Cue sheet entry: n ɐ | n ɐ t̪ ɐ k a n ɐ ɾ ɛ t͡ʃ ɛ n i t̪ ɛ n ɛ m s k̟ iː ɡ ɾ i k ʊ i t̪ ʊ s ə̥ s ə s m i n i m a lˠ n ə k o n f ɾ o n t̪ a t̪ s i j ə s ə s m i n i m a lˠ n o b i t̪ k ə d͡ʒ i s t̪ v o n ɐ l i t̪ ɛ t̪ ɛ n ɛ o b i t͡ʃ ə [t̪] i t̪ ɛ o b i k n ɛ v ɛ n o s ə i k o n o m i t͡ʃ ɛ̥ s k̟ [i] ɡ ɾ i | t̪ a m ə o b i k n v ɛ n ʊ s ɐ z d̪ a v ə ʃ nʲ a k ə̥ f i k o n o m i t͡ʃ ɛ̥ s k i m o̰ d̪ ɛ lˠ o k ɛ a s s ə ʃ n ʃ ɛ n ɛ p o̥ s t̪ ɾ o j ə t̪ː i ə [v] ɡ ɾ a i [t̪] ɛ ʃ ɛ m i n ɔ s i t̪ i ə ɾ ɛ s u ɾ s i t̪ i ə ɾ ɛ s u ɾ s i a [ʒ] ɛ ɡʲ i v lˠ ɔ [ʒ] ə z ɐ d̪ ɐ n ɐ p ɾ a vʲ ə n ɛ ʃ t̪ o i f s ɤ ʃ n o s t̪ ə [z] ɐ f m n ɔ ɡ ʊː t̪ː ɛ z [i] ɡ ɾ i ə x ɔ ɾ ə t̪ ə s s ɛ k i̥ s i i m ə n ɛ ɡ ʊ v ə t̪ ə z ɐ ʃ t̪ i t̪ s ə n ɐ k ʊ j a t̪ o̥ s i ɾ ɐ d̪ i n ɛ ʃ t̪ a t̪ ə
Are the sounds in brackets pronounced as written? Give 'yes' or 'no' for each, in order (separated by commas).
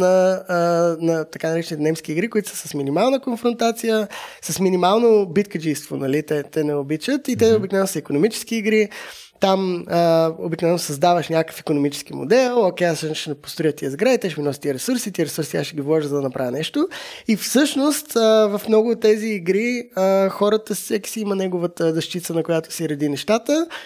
yes, no, no, yes, no, yes, no, no